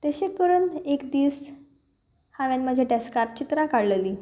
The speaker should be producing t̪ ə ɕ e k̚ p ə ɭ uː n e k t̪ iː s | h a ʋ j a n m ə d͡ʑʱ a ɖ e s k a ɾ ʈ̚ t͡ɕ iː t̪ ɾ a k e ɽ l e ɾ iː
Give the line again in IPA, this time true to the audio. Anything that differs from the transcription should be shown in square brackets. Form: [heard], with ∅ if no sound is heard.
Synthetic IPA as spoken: t̪ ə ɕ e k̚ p ə [ɾ] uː n e k [d̪] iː s | h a ʋ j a n m ə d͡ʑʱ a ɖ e s k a ɾ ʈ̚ t͡ɕ [i] t̪ ɾ a k [a] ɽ l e [l] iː